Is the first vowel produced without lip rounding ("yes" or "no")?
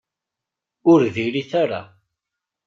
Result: no